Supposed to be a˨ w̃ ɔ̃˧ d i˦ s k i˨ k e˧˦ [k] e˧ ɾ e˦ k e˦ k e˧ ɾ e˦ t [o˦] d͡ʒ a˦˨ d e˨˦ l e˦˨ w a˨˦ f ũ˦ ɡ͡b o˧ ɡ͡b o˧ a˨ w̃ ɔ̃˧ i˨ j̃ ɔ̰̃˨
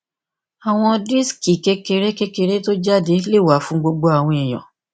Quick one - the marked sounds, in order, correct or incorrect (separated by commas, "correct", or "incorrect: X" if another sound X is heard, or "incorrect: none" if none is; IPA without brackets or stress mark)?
correct, correct